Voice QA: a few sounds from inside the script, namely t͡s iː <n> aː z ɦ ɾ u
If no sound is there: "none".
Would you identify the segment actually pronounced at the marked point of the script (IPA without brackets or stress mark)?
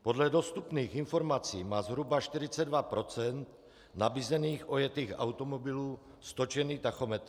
m